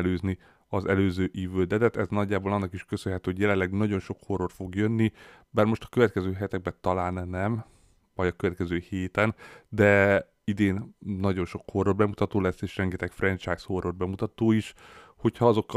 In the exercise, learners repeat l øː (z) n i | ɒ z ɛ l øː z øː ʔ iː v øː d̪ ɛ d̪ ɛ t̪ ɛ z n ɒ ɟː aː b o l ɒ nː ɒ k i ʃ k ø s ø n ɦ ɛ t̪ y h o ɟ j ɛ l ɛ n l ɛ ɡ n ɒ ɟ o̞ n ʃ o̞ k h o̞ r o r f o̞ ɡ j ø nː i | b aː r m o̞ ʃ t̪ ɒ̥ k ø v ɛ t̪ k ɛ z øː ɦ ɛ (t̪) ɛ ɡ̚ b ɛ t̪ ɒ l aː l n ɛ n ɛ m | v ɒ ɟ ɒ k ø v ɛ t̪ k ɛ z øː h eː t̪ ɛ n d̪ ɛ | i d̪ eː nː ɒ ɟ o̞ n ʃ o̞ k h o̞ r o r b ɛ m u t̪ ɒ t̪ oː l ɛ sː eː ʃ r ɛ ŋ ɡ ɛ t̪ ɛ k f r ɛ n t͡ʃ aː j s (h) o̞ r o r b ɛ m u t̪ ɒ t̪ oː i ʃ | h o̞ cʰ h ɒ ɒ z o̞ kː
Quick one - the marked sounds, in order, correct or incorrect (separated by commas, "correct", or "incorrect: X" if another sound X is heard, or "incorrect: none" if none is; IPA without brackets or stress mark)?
correct, correct, correct